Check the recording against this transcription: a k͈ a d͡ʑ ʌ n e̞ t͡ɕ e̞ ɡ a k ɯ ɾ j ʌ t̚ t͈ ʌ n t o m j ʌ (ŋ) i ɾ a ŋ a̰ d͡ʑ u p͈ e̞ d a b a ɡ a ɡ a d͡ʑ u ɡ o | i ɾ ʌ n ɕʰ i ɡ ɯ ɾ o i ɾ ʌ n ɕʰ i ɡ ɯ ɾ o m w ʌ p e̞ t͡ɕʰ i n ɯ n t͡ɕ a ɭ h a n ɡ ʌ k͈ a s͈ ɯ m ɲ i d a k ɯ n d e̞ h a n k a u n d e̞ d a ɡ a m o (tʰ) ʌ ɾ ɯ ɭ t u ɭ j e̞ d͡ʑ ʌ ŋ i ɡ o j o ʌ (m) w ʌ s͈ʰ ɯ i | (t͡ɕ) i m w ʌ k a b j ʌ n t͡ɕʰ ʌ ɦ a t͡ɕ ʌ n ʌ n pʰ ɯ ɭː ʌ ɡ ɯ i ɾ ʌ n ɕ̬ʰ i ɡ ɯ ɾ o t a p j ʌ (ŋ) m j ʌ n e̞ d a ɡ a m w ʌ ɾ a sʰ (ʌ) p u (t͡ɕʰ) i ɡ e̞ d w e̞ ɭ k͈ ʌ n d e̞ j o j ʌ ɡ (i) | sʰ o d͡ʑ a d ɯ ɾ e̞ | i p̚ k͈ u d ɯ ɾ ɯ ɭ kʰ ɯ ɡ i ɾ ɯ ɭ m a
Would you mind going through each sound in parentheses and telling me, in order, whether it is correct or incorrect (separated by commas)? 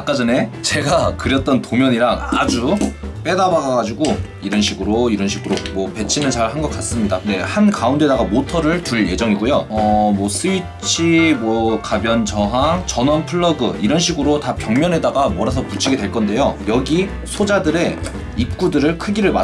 incorrect, correct, correct, incorrect, correct, correct, correct, correct